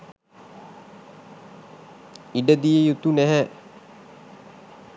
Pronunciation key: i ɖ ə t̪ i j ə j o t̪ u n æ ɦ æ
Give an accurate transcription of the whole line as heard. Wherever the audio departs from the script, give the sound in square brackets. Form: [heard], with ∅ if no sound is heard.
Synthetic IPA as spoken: i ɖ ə [d̪] i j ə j [u] t̪ u n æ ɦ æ